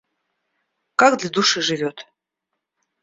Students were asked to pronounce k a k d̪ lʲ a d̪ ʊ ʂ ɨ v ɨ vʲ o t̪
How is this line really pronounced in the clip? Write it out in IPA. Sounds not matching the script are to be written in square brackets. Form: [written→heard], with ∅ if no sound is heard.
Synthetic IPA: k a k d̪ lʲ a d̪ [ʊ→u] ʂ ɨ [v→ʐ] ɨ vʲ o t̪